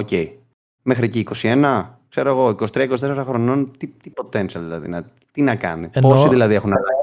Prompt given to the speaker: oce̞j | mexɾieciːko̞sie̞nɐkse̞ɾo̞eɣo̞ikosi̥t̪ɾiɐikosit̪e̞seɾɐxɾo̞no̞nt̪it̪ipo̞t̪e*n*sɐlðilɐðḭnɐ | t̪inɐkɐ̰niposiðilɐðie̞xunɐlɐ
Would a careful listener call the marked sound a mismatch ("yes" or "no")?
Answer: no